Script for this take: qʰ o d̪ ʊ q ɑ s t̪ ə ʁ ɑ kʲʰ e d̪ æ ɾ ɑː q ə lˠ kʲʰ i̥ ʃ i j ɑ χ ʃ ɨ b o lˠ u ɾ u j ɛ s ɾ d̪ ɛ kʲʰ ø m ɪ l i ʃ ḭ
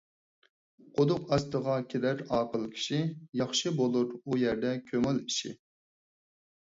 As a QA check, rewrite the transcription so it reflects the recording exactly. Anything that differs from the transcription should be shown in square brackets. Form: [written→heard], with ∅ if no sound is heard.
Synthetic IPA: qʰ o d̪ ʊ q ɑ s t̪ ə ʁ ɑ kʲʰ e d̪ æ ɾ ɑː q ə lˠ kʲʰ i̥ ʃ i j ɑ χ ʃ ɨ b o lˠ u ɾ u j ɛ [s→∅] ɾ d̪ ɛ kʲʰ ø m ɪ l i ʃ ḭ